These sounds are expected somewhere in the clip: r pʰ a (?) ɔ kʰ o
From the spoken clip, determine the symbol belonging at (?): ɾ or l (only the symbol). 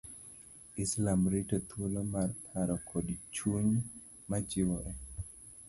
ɾ